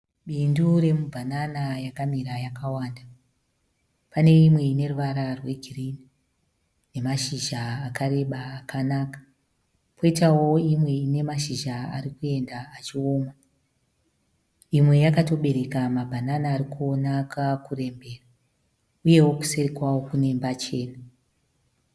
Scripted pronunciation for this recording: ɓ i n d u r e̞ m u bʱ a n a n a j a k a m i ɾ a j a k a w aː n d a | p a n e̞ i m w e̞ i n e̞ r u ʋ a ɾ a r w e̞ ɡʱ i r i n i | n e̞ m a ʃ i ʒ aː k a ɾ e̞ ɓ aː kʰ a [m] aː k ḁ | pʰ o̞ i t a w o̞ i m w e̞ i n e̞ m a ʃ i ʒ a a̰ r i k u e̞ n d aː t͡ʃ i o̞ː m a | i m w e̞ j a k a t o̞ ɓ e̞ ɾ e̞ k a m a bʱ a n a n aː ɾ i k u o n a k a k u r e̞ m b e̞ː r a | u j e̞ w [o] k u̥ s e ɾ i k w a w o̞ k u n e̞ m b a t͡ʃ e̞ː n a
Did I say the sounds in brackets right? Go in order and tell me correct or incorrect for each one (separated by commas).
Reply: incorrect, correct